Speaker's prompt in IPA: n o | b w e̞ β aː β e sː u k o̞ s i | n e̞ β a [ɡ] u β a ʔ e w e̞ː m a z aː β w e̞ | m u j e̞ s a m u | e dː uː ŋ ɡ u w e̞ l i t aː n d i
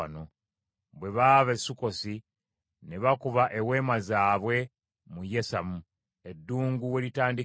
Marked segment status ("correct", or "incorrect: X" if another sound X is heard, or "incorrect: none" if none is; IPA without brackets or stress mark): incorrect: k